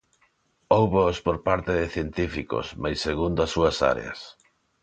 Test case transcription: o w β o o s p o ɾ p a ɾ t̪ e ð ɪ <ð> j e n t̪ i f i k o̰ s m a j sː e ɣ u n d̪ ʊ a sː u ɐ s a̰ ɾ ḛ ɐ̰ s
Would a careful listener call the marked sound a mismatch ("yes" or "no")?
yes